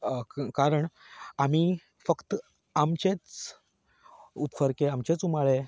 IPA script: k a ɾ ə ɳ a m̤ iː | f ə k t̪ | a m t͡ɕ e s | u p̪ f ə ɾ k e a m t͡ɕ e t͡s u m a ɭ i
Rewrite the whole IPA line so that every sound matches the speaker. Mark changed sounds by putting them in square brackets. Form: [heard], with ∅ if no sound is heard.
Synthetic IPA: k a ɾ ə ɳ a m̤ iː | f ə k t̪ | a m t͡ɕ e [t͡s] | u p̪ f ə ɾ k e a m t͡ɕ e t͡s u m a ɭ [e]